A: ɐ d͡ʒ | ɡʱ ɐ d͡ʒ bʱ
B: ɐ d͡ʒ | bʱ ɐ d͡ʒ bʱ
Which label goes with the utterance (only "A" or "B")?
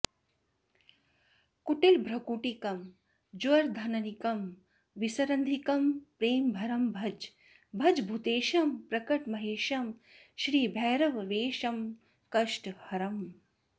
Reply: B